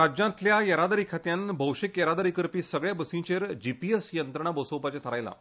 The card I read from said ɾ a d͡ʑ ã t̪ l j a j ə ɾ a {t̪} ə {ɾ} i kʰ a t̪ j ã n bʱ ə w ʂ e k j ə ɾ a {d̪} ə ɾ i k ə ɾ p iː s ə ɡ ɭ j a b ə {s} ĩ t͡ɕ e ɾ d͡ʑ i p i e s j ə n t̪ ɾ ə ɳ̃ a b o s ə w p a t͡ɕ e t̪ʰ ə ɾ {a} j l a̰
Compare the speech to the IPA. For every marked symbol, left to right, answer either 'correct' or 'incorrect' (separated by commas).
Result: incorrect, correct, correct, correct, correct